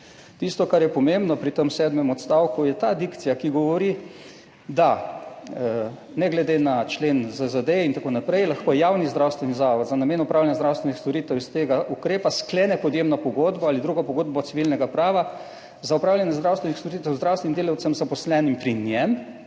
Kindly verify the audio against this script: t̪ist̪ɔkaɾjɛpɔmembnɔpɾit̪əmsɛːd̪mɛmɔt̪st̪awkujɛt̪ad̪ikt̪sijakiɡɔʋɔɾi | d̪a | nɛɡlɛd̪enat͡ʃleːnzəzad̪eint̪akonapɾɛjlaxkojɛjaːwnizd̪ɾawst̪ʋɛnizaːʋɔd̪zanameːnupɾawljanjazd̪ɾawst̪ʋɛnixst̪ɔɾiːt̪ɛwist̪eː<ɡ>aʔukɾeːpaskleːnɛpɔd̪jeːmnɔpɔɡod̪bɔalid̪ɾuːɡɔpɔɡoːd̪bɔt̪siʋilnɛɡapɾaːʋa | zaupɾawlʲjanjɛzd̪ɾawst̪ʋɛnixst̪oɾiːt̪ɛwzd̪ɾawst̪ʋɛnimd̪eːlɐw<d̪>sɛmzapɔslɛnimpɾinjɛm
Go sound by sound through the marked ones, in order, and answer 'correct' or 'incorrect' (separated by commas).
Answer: correct, incorrect